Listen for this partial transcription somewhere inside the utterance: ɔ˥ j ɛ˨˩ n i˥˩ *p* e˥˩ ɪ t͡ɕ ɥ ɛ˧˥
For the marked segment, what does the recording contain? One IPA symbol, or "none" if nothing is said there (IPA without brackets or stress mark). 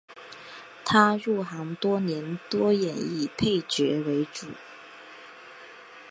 pʰ